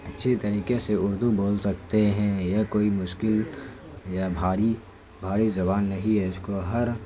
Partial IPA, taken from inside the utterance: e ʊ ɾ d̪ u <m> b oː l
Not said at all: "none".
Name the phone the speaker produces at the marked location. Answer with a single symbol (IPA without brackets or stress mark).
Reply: none